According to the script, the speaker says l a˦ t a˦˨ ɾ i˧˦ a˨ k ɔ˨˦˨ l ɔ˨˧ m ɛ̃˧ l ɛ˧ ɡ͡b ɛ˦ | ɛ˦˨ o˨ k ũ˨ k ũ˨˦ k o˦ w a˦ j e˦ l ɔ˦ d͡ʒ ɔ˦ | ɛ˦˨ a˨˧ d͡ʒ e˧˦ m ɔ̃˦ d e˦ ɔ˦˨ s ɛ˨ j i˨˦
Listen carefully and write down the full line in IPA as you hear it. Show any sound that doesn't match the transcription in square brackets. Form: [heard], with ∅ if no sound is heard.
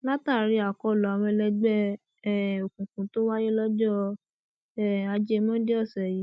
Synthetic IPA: l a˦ t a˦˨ ɾ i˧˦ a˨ k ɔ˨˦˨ l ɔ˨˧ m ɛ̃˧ l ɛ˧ ɡ͡b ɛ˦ | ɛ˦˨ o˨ k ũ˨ k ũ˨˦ [t] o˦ w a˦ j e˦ l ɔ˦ d͡ʒ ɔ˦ | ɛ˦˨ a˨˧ d͡ʒ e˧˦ m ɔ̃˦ d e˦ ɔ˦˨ s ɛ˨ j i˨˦